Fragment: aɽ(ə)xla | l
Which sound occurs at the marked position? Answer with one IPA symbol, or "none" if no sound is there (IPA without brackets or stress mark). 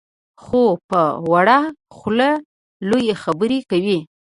a